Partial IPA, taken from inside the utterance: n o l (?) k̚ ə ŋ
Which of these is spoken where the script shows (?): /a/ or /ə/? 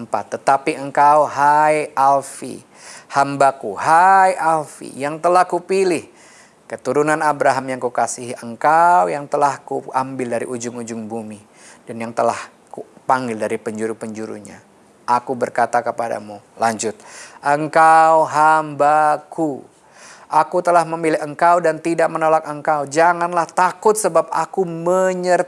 a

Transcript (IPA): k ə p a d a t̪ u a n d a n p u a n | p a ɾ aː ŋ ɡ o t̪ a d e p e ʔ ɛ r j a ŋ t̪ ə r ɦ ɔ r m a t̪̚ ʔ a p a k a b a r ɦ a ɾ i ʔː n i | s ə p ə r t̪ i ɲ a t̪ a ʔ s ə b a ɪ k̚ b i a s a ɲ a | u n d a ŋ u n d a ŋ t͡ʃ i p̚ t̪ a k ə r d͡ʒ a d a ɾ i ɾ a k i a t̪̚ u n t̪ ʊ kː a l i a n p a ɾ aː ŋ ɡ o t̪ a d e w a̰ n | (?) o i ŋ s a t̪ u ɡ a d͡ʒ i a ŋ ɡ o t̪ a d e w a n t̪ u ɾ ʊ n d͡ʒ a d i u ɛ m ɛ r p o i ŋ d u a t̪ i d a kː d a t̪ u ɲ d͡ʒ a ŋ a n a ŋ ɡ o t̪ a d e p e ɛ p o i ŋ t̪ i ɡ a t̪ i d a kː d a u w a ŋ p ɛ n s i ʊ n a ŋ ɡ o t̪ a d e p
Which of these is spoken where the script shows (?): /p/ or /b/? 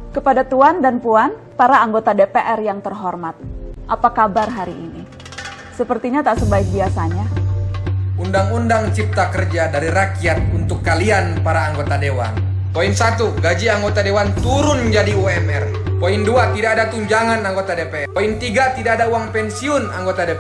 p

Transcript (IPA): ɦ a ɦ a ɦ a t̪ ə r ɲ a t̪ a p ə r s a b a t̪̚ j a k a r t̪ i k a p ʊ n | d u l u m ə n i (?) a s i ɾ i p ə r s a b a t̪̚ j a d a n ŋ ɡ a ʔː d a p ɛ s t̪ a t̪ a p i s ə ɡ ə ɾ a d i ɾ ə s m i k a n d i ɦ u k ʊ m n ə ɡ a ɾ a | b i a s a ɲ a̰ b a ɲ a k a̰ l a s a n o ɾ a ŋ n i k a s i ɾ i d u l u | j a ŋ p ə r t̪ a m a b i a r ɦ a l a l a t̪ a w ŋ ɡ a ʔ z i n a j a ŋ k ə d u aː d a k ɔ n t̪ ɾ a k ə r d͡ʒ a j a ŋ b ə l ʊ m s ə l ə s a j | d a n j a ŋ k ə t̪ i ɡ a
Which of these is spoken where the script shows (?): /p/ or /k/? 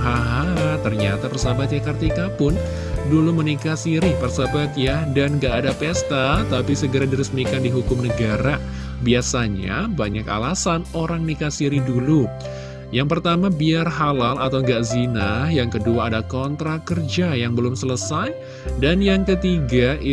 k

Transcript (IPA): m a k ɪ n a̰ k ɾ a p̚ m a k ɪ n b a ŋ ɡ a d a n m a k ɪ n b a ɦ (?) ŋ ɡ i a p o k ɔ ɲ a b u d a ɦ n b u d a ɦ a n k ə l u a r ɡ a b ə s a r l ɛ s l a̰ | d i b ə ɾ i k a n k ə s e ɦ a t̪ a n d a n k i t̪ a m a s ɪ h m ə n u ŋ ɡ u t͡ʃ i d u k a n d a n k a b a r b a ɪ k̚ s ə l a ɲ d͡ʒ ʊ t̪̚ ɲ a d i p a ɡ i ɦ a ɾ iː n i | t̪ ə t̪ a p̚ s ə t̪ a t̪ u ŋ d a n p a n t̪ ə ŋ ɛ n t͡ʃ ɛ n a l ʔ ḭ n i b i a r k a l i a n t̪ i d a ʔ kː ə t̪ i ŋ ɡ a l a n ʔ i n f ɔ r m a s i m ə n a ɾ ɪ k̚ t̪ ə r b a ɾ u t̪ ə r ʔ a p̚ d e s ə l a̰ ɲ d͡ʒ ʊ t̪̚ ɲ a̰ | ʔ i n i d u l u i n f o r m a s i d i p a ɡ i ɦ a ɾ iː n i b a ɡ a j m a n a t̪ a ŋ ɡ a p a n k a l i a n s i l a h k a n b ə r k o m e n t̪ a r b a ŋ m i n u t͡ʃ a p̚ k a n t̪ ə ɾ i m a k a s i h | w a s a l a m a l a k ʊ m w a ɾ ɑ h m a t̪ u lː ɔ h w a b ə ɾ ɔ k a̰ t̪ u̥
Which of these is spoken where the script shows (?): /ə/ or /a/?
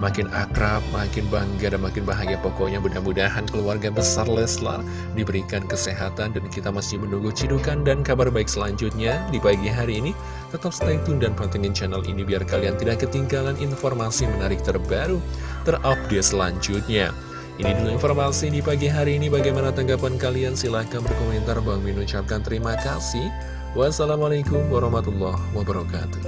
a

